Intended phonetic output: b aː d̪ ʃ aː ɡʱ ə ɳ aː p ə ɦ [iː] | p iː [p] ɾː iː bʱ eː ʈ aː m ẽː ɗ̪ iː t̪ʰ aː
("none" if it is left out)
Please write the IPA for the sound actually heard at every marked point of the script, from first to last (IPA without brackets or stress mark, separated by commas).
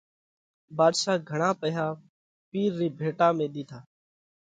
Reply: aː, none